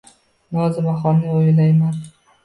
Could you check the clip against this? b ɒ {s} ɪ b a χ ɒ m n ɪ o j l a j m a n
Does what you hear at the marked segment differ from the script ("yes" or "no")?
yes